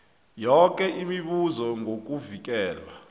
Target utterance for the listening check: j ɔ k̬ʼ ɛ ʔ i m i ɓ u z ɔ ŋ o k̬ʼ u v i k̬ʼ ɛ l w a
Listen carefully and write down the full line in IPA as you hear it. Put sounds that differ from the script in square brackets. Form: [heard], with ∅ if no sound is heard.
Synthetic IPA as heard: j ɔ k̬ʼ ɛ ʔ i m i ɓ u z ɔ ŋ o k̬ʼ u v i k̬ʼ [ɛː] l w a